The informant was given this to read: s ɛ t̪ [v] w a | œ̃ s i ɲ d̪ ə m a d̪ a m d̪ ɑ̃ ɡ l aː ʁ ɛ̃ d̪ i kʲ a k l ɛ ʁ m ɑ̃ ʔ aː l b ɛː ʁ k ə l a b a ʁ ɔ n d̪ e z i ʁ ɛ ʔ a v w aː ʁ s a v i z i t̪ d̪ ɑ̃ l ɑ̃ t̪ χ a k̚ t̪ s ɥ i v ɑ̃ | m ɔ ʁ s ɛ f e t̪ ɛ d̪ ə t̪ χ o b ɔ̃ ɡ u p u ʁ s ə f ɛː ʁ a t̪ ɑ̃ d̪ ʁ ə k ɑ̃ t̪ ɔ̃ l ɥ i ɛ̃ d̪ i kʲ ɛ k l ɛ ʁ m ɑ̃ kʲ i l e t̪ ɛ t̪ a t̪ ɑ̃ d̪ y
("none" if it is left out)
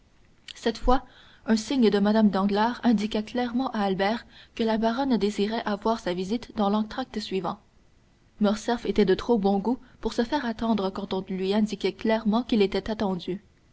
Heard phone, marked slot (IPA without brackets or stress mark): f